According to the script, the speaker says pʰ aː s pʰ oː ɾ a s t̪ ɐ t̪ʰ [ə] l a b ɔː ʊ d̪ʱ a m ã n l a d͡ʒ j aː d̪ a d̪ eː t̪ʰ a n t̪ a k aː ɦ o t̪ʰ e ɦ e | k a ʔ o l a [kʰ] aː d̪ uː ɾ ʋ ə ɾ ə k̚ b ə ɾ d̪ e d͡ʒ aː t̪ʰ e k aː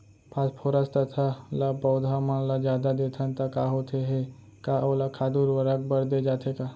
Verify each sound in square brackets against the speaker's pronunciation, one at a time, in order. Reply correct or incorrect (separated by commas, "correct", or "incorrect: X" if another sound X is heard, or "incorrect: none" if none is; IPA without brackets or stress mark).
incorrect: a, correct